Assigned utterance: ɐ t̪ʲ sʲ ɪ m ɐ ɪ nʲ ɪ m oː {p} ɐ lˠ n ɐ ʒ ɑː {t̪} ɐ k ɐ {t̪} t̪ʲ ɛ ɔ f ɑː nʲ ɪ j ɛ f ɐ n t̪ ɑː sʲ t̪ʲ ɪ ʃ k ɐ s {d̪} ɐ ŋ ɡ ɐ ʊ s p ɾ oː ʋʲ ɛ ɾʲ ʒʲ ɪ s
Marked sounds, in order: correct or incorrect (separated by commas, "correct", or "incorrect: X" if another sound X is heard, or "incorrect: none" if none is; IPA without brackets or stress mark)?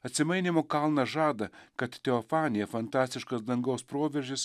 incorrect: k, incorrect: d̪, correct, correct